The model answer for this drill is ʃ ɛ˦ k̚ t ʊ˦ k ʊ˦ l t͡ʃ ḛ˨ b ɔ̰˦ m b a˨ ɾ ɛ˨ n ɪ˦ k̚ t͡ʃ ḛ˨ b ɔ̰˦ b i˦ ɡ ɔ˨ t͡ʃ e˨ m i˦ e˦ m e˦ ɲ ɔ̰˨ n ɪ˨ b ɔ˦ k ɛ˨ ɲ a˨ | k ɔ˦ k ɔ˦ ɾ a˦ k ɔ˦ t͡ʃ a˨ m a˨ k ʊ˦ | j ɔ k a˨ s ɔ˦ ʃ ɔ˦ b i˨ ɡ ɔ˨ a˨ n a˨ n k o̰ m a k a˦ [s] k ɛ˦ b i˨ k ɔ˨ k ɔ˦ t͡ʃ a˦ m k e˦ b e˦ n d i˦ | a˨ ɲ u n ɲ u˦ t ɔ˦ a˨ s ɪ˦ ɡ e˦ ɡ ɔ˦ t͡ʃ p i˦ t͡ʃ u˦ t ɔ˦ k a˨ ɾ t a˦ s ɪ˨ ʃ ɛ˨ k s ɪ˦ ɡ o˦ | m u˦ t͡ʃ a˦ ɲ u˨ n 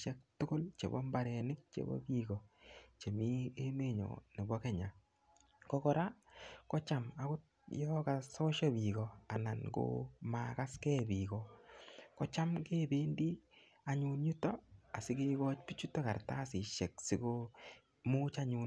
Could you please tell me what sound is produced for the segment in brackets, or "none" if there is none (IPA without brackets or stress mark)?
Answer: s